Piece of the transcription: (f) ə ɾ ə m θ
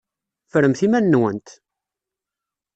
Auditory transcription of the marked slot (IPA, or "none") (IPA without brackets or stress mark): f